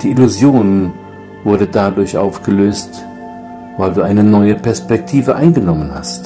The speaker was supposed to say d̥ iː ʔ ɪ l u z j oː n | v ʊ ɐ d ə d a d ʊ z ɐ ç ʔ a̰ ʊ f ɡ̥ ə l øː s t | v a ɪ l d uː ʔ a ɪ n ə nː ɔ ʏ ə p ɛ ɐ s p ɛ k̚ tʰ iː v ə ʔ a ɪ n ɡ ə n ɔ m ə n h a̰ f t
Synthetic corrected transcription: d̥ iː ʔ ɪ l u z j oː n | v ʊ ɐ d ə d a d ʊ ɐ ç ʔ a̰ ʊ f ɡ̥ ə l øː s t | v a ɪ l d uː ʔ a ɪ n ə n ɔ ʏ ə p ɛ ɐ s p ɛ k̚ tʰ iː v ə ʔ a ɪ n ɡ ə n ɔ m ə n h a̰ s t